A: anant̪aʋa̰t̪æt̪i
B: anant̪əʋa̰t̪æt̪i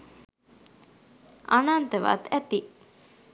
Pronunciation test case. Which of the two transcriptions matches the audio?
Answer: B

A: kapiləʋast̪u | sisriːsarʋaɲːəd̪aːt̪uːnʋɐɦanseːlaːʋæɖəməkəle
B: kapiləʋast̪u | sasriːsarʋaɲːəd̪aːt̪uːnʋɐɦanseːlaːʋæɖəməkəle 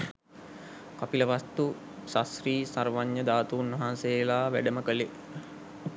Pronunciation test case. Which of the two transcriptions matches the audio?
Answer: B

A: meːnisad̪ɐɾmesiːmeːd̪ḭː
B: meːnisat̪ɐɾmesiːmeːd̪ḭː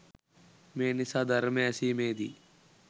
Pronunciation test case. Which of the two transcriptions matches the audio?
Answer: A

